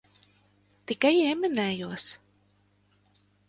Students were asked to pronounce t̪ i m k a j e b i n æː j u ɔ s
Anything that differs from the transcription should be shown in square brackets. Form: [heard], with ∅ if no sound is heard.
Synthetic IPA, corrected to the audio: t̪ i [∅] k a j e [m] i n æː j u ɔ s